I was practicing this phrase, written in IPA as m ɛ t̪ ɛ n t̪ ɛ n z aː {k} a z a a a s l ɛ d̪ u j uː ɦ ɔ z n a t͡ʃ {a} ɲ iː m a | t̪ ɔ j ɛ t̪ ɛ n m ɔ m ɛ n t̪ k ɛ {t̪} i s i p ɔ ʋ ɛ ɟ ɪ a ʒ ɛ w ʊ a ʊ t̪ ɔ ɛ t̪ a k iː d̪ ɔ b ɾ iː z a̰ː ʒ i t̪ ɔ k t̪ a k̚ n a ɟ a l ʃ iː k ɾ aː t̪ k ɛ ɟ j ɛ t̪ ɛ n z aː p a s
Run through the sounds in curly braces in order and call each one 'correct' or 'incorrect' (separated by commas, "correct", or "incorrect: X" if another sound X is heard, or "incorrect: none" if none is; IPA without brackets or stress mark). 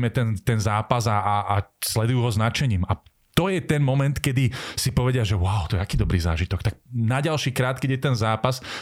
incorrect: p, incorrect: ɛ, incorrect: d̪